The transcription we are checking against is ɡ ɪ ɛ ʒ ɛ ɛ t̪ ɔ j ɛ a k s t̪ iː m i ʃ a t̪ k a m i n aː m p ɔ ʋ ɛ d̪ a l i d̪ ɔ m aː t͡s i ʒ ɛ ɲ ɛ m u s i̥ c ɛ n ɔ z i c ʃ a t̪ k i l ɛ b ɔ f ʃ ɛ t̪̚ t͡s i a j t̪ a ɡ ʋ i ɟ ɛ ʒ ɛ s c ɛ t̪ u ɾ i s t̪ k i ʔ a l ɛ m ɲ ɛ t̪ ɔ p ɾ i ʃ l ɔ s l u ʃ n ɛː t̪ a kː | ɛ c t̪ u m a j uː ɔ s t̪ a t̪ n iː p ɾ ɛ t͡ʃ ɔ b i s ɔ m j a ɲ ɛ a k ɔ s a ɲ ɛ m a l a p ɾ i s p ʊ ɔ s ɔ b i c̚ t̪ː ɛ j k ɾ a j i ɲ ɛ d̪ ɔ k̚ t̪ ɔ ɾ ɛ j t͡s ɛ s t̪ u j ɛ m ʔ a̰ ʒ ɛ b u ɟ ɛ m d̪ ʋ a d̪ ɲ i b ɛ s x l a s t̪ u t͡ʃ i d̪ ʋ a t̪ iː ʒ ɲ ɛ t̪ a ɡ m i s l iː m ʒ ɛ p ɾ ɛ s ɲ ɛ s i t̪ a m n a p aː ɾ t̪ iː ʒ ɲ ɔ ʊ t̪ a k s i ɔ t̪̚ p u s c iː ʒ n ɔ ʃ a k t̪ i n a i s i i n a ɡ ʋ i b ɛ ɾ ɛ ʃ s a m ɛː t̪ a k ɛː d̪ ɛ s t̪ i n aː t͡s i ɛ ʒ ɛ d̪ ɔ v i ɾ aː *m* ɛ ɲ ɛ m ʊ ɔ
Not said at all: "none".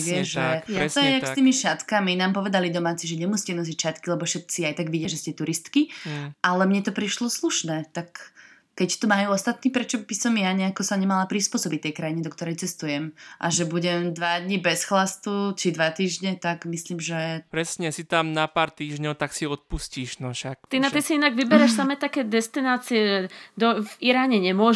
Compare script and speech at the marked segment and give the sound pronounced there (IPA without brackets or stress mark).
ɲ